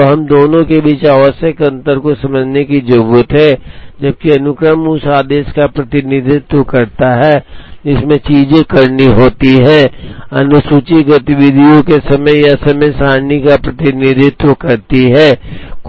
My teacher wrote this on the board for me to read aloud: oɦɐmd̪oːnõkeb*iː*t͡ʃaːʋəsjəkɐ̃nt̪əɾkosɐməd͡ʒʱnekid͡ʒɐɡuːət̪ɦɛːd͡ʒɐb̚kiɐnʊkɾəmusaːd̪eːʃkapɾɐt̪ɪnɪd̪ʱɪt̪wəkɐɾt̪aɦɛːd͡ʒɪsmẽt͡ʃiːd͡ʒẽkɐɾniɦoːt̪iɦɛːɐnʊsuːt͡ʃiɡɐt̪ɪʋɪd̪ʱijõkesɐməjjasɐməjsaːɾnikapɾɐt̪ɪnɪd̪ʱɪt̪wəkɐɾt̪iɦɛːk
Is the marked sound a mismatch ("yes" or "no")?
no